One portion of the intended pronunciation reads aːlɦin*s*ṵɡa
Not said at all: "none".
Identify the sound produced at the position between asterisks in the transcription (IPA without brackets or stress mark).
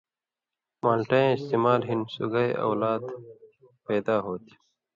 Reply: s